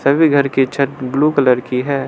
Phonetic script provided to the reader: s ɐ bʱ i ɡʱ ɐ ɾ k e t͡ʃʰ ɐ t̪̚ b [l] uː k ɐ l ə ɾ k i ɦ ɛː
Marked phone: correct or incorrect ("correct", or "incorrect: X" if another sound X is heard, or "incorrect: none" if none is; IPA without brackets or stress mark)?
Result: correct